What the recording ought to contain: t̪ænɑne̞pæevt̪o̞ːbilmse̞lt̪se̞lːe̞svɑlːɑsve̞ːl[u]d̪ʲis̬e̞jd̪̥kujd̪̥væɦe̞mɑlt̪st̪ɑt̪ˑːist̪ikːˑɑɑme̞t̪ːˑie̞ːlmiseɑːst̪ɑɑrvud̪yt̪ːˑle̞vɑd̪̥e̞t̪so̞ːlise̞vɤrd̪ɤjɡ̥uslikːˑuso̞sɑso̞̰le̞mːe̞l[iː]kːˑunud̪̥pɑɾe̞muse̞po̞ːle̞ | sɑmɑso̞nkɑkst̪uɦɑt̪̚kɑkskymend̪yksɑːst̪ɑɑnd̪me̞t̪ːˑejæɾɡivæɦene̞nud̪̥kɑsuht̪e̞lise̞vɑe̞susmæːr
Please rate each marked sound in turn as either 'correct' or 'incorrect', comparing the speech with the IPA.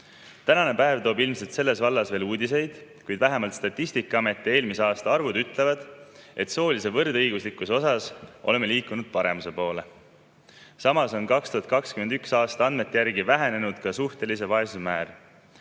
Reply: incorrect: uː, correct

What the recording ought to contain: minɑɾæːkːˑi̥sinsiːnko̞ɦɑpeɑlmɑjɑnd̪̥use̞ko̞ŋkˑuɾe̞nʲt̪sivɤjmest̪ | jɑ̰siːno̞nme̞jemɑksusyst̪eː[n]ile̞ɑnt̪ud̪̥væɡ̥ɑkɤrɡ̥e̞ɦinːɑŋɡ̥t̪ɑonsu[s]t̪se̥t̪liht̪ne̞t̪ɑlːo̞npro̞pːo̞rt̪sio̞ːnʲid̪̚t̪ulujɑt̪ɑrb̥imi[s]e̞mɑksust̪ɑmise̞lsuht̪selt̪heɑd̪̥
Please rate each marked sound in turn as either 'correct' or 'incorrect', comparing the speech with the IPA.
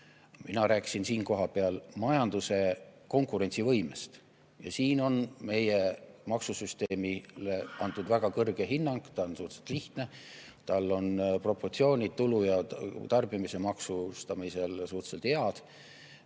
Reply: incorrect: m, incorrect: h, correct

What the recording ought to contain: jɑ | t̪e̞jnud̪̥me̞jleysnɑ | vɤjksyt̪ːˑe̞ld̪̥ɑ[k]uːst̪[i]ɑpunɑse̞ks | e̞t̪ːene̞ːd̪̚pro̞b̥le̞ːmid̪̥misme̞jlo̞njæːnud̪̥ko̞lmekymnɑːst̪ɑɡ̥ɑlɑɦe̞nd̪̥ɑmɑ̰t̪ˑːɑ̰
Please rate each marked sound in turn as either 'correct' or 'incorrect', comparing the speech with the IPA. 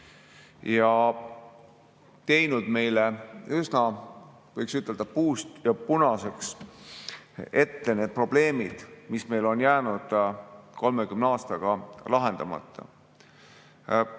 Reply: incorrect: p, incorrect: j

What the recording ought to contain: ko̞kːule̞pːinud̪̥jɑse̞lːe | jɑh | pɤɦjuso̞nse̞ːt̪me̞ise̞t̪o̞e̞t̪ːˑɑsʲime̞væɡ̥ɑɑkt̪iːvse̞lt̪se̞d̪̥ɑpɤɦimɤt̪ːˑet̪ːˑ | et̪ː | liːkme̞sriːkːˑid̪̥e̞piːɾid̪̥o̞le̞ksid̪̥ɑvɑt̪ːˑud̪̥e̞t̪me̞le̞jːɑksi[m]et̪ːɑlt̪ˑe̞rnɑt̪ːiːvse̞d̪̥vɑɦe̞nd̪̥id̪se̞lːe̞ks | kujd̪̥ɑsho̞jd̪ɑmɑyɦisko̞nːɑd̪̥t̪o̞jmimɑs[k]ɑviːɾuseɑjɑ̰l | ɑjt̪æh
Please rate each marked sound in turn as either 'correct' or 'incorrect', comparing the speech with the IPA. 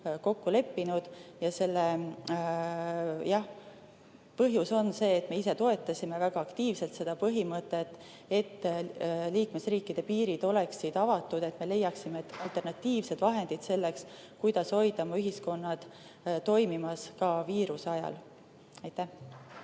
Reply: correct, correct

